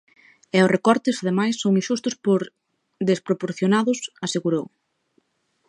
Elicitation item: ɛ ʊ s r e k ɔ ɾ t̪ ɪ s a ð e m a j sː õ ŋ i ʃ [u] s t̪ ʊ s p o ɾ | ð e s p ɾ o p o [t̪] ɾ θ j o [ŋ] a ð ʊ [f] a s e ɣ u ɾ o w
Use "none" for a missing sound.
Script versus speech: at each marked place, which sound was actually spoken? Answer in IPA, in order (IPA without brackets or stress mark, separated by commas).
u, none, n, s